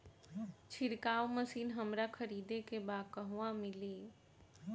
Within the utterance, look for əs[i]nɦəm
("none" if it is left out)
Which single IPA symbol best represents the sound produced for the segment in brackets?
iː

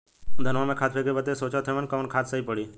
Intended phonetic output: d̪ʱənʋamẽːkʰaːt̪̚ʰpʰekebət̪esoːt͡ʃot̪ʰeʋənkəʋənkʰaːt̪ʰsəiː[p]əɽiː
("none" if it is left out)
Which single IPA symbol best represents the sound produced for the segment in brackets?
p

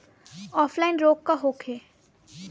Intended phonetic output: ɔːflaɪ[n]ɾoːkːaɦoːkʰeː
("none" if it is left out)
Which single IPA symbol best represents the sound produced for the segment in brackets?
n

